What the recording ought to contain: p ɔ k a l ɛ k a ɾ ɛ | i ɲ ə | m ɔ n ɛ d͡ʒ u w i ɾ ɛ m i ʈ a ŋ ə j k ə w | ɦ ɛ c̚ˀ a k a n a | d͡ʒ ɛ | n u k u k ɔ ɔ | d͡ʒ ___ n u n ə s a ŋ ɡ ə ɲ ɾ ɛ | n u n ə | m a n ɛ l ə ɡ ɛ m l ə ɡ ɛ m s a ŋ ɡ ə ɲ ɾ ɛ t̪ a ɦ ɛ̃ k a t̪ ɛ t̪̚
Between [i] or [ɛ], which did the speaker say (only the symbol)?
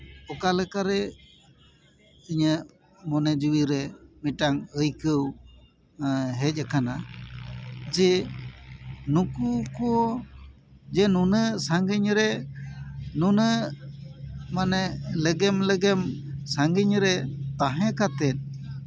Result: ɛ